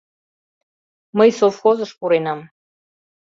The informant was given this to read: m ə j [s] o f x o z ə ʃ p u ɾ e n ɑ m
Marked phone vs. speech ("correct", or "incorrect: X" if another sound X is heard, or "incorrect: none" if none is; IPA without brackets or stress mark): correct